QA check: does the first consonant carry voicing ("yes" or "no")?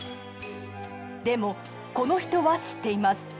yes